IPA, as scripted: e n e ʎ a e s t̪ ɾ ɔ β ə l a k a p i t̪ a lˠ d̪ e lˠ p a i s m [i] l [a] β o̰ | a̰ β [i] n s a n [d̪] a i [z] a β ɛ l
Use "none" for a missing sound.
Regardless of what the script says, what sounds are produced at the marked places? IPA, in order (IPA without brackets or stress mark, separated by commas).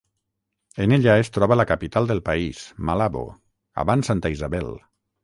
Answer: a, a, a, t̪, z